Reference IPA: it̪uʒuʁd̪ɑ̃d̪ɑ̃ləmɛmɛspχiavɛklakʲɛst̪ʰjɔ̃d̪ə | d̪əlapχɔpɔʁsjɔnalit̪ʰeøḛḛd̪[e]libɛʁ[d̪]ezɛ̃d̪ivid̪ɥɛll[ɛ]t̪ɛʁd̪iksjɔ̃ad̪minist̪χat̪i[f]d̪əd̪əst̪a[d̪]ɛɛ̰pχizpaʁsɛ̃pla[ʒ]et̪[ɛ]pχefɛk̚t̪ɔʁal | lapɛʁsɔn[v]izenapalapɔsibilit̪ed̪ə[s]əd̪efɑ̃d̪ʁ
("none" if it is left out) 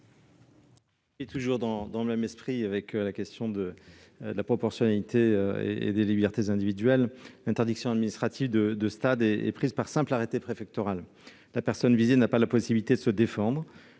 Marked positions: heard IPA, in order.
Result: e, t̪, ɛ̃, v, d̪, ʁ, e, v, s

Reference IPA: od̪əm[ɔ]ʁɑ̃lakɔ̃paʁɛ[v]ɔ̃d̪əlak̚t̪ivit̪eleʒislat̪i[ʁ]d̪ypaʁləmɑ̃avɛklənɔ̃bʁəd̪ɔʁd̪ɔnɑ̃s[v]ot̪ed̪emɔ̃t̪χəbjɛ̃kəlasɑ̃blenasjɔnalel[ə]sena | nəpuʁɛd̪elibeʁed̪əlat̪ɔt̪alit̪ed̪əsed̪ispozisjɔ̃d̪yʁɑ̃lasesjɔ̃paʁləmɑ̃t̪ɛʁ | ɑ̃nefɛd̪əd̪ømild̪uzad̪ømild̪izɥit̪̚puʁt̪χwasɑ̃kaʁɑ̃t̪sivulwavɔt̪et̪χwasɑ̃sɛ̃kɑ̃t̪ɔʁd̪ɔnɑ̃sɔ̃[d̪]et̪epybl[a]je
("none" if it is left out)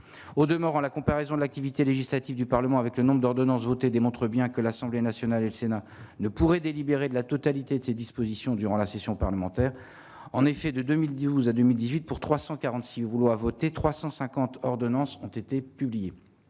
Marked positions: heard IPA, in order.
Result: ɔ, z, v, v, ə, t̪, i

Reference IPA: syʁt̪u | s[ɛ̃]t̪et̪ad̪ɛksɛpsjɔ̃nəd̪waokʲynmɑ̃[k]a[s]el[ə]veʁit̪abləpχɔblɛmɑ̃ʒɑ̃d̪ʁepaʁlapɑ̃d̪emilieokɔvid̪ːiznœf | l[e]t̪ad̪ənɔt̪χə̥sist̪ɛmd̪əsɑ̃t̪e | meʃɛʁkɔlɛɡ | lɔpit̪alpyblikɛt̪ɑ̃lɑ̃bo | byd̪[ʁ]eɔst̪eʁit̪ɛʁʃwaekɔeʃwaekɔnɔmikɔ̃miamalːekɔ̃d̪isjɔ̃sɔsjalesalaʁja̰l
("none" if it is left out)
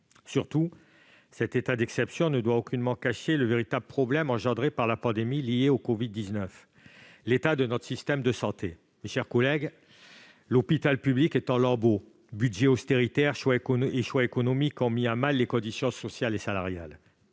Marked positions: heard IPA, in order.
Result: ɛ, k, ʃ, ə, e, ʒ

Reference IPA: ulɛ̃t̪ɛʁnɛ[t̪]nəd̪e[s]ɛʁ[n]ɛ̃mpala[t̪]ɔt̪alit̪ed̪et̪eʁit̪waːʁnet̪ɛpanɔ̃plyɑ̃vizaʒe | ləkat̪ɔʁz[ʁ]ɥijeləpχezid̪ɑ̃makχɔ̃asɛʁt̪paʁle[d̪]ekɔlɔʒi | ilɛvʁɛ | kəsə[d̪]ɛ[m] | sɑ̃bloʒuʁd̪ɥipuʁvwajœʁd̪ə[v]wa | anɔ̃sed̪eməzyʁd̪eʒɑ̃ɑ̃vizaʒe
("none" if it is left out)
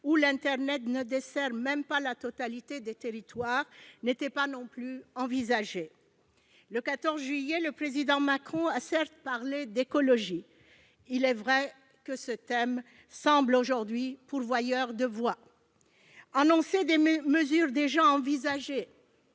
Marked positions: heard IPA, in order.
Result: t̪, s, m, t̪, ʒ, d̪, t̪, m, v

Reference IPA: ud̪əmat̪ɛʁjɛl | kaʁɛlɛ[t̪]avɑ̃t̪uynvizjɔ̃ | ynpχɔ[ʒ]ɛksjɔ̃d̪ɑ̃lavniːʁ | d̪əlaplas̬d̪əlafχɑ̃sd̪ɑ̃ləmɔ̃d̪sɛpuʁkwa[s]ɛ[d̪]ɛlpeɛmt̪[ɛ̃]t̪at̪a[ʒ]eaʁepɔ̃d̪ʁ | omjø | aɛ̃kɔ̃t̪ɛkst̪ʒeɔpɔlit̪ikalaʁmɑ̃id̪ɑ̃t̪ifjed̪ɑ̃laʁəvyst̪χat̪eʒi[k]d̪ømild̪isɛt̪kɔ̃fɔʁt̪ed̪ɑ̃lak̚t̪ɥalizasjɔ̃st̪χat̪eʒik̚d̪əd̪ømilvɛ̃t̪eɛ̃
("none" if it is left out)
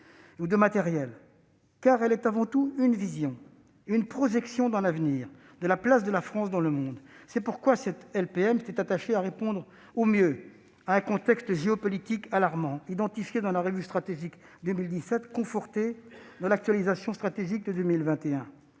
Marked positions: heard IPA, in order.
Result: t̪, ʒ, s, t̪, ɛ, ʃ, k

